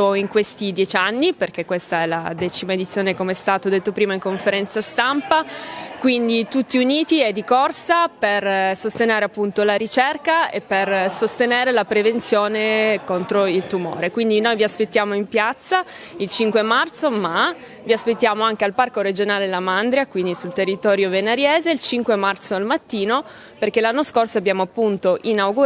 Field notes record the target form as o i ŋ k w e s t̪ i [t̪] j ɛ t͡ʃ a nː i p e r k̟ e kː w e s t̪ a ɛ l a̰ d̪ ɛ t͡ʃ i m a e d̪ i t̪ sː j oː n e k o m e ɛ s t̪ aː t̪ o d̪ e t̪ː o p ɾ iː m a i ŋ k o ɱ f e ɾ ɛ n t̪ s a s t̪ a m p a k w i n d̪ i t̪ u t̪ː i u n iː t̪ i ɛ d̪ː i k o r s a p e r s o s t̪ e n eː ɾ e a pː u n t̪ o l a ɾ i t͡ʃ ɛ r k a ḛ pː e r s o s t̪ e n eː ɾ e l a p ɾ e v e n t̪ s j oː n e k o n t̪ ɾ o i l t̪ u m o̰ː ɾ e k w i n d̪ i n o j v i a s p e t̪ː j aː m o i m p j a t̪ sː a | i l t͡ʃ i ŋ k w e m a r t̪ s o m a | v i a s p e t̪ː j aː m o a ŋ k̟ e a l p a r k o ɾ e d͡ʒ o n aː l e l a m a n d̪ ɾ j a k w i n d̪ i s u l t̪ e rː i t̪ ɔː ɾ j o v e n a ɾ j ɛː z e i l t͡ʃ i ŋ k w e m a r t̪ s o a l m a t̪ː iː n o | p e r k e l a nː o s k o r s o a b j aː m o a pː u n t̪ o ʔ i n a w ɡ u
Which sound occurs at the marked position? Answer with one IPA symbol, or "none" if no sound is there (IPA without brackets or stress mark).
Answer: d̪